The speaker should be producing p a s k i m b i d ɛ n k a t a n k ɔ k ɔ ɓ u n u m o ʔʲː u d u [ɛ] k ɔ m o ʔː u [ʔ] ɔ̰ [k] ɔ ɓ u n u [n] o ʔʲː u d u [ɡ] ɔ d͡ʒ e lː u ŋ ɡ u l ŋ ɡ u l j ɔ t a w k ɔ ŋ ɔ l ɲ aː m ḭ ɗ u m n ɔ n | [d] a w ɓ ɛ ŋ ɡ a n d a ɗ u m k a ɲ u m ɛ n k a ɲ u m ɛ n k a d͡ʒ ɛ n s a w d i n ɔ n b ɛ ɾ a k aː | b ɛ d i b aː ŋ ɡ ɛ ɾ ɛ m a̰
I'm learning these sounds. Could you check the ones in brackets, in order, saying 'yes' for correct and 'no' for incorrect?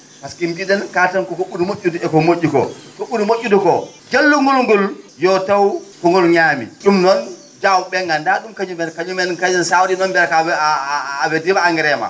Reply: yes, no, yes, no, no, no

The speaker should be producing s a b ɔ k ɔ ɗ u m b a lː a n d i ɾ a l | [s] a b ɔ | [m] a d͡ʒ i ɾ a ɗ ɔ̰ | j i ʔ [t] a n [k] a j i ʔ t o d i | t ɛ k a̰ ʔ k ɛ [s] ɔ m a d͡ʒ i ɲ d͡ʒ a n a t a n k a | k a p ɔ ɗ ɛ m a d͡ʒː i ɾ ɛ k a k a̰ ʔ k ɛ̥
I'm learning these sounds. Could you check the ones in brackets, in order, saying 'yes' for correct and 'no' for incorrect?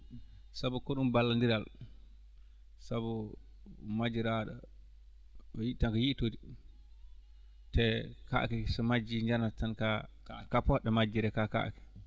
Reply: yes, yes, yes, yes, yes

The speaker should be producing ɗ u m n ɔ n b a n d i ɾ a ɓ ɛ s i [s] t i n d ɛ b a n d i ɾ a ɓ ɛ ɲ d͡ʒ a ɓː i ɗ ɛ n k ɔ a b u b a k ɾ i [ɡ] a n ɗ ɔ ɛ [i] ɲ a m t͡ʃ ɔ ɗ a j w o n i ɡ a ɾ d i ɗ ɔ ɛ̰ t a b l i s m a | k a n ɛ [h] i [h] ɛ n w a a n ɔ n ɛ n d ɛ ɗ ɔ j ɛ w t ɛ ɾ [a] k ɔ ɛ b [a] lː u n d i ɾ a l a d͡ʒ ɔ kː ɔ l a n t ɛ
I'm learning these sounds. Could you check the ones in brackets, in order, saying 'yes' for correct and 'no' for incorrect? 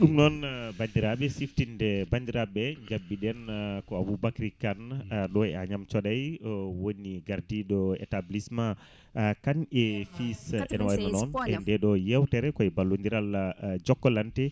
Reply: no, no, no, no, no, no, yes

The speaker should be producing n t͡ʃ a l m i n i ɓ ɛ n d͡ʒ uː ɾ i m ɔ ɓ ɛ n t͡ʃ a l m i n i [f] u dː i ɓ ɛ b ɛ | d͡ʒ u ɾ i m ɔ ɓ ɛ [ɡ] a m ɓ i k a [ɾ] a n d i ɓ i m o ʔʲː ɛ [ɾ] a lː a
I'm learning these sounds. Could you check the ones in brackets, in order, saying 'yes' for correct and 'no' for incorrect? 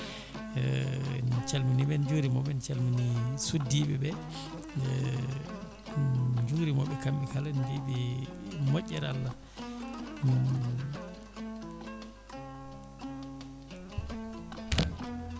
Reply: no, no, no, yes

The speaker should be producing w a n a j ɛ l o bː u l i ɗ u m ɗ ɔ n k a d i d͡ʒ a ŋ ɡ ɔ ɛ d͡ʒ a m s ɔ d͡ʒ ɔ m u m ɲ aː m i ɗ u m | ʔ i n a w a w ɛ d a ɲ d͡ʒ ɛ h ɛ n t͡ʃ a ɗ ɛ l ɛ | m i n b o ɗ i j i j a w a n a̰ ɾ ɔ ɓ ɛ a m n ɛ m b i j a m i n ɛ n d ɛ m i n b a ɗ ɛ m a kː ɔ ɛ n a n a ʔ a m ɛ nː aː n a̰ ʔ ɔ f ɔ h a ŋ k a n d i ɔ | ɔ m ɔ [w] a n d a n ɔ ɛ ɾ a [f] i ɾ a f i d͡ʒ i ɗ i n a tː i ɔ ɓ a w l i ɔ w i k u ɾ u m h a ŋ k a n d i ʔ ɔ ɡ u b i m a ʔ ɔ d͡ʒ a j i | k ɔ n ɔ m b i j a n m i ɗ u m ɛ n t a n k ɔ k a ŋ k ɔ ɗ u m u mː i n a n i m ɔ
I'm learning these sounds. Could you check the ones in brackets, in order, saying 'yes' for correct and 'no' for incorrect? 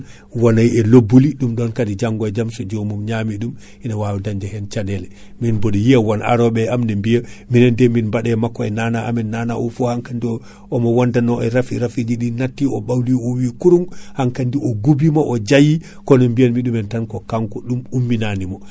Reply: yes, yes

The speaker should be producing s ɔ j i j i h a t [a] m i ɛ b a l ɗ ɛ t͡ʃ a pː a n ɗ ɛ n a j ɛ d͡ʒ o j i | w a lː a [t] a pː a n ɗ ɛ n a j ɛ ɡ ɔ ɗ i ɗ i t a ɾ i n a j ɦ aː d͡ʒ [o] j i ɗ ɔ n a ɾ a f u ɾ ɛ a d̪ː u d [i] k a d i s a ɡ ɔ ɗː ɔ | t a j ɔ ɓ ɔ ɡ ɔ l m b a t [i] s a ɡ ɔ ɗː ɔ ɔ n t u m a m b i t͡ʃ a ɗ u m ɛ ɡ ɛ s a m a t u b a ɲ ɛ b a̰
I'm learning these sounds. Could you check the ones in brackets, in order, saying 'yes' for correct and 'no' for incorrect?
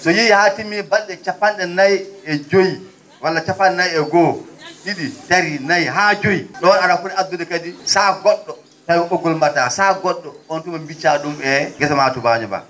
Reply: no, no, yes, no, no

